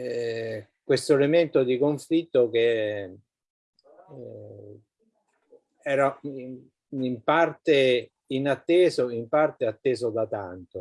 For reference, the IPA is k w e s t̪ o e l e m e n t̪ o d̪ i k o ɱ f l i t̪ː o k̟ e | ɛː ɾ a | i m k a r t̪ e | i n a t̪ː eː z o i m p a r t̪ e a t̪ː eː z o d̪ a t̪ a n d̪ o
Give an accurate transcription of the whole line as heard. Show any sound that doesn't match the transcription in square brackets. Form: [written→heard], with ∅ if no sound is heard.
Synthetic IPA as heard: k w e s t̪ o e l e m e n t̪ o d̪ i k o ɱ f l i t̪ː o k̟ e | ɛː ɾ a | i m [k→p] a r t̪ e | i n a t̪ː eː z o i m p a r t̪ e a t̪ː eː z o d̪ a t̪ a n [d̪→t̪] o